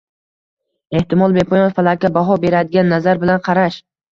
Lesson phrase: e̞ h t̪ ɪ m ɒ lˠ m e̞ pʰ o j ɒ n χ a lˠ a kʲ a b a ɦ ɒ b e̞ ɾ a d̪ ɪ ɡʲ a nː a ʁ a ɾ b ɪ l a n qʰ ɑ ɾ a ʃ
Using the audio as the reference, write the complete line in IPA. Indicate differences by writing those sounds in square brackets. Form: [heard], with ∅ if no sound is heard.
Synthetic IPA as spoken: e̞ h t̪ ɪ m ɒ lˠ [b] e̞ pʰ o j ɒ n [f] a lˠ a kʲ a b a ɦ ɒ b e̞ ɾ a d̪ ɪ ɡʲ a nː a [z] a ɾ b ɪ l a n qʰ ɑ ɾ a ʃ